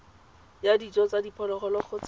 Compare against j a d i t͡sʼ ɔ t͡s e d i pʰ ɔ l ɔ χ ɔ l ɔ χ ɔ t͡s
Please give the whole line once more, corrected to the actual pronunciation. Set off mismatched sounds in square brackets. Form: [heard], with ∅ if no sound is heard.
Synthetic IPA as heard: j a d i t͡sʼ ɔ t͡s [a] d i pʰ ɔ l ɔ χ ɔ l ɔ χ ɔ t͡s